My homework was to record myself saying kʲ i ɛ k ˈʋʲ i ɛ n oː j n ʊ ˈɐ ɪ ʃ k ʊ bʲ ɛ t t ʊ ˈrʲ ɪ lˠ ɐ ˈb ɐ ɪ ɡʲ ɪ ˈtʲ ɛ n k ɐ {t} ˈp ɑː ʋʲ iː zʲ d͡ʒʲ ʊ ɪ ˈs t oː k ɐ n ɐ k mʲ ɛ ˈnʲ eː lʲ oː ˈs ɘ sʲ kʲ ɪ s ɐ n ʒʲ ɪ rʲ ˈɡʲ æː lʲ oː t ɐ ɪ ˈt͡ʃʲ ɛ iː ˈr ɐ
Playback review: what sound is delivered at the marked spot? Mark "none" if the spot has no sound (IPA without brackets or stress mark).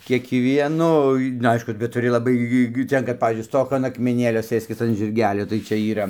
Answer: t